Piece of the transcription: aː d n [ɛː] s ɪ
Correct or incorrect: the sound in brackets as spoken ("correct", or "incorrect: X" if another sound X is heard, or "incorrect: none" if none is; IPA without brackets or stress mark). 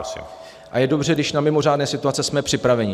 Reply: correct